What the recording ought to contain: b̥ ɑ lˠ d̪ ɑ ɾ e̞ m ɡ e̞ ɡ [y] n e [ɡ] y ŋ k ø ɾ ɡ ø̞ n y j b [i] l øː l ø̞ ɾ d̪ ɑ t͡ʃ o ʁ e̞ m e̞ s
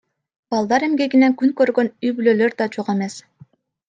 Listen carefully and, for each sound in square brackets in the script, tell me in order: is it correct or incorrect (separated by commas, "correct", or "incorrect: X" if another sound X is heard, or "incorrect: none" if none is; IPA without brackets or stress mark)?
incorrect: i, incorrect: k, incorrect: y